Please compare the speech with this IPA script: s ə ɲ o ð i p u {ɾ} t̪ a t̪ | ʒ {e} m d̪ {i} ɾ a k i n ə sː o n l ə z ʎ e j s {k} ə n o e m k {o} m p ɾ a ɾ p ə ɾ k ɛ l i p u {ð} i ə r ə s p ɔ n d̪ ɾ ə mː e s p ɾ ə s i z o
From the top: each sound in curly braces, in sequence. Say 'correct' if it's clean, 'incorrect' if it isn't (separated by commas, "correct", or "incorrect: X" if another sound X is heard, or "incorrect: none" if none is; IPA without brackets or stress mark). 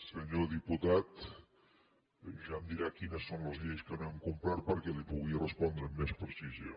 incorrect: none, incorrect: a, correct, correct, incorrect: u, incorrect: ɣ